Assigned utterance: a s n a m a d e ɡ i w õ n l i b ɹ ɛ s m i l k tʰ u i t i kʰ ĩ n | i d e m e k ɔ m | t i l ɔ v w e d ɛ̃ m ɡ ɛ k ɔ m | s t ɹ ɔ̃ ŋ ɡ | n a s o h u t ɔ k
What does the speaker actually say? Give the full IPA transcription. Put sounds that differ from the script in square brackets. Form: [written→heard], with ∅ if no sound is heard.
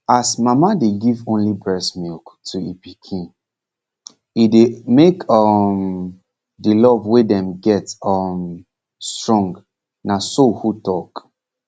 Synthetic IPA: a s [n→m] a m a d e ɡ i [w→v] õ n l i b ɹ ɛ s m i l k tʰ u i [t→p] i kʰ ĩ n | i d e m e k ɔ m | [t→d] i l ɔ v w e d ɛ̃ m ɡ ɛ [k→t] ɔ m | s t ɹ ɔ̃ ŋ ɡ | n a s o h u t ɔ k

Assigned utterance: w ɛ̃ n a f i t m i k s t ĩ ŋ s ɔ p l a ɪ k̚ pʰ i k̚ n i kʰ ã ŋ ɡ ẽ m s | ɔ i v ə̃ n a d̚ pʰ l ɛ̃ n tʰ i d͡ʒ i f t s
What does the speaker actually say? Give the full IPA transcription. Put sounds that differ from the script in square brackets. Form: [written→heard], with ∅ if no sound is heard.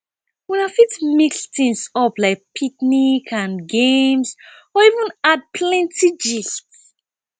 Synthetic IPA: w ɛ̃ n a f i t m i k s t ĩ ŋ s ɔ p l a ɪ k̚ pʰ i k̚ n i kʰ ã [ŋ→n] ɡ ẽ m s | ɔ i v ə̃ n a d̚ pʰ l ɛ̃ n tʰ i d͡ʒ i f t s

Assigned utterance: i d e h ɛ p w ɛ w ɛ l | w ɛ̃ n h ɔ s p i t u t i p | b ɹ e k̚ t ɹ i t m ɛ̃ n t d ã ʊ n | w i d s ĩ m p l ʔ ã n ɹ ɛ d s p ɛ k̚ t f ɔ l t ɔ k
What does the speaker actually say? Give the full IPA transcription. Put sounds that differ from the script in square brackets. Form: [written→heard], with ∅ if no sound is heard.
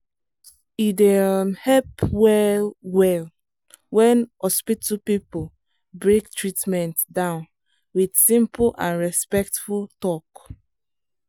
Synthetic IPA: i d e h ɛ p w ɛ w ɛ l | w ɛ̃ n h ɔ s p i t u [t→p] i p | b ɹ e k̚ t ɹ i t m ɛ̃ n t d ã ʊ n | w i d s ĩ m p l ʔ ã n ɹ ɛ [d→∅] s p ɛ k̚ t f [ɔ→u] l t ɔ k

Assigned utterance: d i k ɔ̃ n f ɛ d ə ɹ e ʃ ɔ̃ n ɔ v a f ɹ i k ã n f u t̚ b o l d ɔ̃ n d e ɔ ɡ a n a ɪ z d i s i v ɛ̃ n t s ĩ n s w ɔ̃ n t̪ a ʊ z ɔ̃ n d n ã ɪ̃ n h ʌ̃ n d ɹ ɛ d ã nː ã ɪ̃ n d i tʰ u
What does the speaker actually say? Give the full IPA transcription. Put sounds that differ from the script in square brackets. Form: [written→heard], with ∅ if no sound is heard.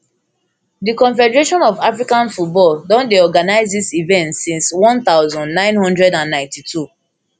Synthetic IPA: d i k ɔ̃ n f ɛ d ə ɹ e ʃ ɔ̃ n ɔ v a f ɹ i k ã n f u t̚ b [o→ɔ] l d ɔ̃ n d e ɔ ɡ a n a ɪ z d i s i v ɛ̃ n t s ĩ n s w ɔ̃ n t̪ a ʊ z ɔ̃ n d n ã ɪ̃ n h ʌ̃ n d ɹ ɛ d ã nː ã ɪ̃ n [d→t] i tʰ u

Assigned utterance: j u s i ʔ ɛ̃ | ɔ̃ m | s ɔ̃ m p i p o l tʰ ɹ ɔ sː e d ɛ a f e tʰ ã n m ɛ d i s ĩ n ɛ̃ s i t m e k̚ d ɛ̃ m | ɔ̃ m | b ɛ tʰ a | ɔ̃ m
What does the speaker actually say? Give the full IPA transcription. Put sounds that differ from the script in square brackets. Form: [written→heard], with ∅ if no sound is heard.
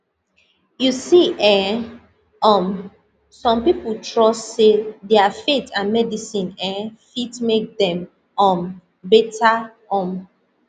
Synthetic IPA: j u s i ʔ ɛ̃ | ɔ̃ m | s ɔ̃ m p i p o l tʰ ɹ ɔ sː e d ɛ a f e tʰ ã n m ɛ d i s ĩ n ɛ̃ [s→f] i t m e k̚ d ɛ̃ m | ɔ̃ m | b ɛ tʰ a | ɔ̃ m

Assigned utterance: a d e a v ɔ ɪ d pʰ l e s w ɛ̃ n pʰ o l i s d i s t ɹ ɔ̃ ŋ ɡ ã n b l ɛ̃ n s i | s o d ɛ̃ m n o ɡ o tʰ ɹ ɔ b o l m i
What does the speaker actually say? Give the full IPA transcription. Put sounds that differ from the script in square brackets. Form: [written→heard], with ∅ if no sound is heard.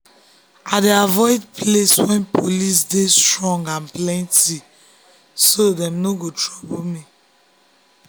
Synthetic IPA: a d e a v ɔ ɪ d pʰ l e s w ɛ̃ n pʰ o l i s d [i→e] s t ɹ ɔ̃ ŋ ɡ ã n [b→p] l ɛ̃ n [s→t] i | s o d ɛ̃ m n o ɡ o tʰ ɹ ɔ b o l m i

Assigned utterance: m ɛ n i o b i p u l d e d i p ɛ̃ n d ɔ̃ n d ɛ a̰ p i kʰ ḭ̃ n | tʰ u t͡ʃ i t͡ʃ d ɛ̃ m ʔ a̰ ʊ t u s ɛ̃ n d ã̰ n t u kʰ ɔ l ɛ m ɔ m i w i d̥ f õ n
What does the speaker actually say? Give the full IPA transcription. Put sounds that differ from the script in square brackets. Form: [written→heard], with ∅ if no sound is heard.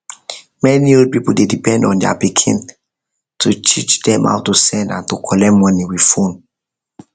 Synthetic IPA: m ɛ n i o [b→p] i p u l d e d i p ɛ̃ n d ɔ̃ n d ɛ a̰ p i kʰ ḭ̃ n | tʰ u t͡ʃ i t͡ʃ d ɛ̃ m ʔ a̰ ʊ t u s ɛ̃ n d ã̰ n t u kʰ ɔ l ɛ m ɔ [m→n] i w i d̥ f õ n

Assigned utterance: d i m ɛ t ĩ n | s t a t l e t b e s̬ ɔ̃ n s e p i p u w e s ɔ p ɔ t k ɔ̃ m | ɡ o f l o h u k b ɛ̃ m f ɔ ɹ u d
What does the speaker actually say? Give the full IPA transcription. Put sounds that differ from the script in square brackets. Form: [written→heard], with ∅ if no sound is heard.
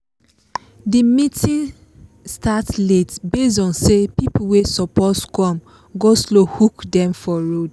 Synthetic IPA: d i m [ɛ→i] t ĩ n | s t a t l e t b e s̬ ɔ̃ n s e p i p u w e s ɔ p ɔ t k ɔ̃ m | ɡ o [f→s] l o h u k [b→d] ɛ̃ m f ɔ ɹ [u→o] d

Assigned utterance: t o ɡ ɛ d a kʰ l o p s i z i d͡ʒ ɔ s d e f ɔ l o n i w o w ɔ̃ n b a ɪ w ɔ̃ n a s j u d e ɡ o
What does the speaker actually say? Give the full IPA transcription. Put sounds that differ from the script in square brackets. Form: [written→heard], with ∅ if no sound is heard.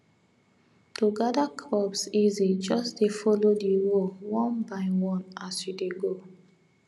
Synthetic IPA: t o ɡ [ɛ→a] d a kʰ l [o→ɔ] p s i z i d͡ʒ ɔ s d e f ɔ l o [n→d] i w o w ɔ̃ n b a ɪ w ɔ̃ n a s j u d e ɡ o

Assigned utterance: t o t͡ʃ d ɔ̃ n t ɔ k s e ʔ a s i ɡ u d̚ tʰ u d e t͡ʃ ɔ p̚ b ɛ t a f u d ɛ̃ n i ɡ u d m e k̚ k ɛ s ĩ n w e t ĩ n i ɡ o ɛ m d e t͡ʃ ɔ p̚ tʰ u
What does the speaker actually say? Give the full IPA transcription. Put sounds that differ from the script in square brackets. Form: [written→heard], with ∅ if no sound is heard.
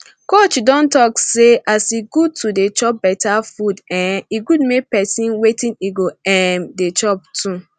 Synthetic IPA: [t→k] o t͡ʃ d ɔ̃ n t ɔ k s e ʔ a s i ɡ u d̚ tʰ u d e t͡ʃ ɔ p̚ b ɛ t a f u d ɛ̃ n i ɡ u d m e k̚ [k→p] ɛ s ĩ n w e t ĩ n i ɡ o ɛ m d e t͡ʃ ɔ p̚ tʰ u

